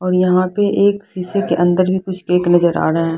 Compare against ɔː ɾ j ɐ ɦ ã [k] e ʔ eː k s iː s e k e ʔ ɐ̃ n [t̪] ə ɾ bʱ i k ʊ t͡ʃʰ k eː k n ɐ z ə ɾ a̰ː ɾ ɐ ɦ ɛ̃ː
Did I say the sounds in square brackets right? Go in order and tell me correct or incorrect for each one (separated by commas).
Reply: incorrect, incorrect